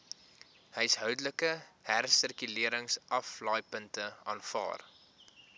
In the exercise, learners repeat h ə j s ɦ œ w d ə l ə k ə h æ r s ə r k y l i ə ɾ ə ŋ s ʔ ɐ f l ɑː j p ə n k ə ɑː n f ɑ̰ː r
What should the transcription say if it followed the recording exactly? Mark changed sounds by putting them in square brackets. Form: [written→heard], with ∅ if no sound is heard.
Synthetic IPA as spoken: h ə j s ɦ œ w d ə l ə k ə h æ r s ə r k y l i ə ɾ ə ŋ s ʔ ɐ f l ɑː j p ə n [k→t] ə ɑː n f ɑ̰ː r